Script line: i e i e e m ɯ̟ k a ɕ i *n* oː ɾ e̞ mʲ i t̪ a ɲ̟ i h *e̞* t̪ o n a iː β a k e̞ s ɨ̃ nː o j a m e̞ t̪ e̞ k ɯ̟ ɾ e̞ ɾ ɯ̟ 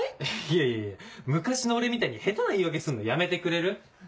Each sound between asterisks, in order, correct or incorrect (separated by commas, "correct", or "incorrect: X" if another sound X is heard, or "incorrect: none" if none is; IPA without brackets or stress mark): correct, correct